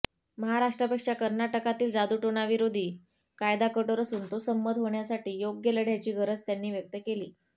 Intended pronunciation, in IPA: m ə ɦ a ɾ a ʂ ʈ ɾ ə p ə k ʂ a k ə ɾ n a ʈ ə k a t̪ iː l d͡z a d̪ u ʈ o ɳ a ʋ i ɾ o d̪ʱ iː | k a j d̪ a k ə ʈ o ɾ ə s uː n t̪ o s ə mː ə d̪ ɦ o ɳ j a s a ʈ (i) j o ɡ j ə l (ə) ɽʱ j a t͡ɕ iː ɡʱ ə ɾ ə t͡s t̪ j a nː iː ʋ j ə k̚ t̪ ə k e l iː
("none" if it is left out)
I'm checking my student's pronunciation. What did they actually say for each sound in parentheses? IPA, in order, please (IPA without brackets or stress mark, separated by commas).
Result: iː, ə